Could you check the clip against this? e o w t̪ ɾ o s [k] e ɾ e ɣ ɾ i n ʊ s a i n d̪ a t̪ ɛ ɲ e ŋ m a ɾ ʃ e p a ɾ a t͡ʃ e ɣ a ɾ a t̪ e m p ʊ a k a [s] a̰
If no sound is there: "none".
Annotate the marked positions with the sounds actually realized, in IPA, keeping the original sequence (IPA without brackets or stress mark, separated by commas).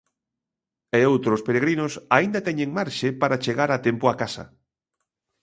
p, s